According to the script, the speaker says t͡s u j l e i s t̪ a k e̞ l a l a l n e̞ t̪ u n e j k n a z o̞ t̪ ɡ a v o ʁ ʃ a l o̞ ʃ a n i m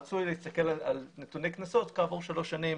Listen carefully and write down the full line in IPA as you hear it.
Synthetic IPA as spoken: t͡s u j l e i s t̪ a k e̞ l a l a l n e̞ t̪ u n e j k n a s o̞ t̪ k a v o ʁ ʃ a l o̞ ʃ a n i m